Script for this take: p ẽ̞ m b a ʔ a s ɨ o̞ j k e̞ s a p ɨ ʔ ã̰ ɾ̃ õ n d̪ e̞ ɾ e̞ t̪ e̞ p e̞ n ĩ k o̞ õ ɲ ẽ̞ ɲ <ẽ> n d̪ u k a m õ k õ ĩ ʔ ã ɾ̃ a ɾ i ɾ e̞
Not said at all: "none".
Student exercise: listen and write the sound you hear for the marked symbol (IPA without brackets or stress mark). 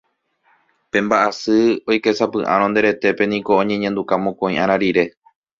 ẽ